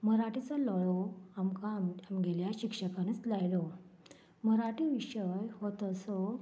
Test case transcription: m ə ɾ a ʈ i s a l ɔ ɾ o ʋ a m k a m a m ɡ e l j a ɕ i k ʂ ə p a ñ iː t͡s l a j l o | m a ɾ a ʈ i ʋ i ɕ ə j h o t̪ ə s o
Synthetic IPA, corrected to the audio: m ə ɾ a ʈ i t͡s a l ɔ ɭ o a m k a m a m ɡ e l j a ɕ i k ʂ ə k a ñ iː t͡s l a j l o | m ə ɾ a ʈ i ʋ i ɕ ə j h o t̪ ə s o